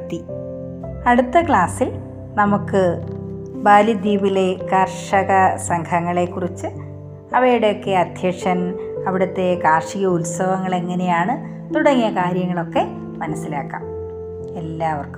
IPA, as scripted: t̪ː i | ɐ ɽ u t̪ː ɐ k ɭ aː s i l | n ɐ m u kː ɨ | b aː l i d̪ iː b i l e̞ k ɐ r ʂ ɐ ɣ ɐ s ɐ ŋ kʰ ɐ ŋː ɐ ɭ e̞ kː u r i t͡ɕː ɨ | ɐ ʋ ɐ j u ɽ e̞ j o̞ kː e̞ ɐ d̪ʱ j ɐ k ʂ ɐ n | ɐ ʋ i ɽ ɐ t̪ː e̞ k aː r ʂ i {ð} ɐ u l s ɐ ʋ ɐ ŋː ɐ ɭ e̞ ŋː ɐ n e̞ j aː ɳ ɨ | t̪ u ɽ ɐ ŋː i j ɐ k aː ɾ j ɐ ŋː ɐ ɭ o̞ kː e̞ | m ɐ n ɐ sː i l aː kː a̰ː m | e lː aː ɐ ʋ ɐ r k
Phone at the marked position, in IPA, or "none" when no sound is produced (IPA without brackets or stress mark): ɣ